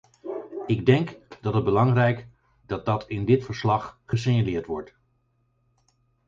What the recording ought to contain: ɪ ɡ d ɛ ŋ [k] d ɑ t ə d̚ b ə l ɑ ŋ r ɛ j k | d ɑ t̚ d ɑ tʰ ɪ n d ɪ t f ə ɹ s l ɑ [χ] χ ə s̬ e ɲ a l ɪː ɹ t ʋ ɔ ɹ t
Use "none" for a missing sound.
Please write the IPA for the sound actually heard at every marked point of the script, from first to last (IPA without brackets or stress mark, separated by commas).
k, χ